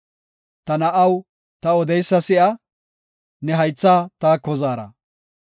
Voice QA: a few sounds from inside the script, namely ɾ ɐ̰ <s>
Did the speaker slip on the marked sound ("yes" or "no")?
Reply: yes